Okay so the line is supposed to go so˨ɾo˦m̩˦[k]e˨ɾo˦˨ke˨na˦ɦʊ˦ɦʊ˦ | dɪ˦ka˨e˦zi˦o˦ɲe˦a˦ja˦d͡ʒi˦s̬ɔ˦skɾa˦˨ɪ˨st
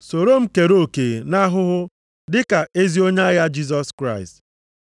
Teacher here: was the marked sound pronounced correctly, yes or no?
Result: yes